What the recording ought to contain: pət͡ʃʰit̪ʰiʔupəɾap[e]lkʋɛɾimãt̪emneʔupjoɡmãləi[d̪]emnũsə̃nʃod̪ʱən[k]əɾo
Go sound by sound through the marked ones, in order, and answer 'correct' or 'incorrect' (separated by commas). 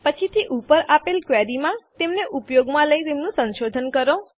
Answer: correct, incorrect, correct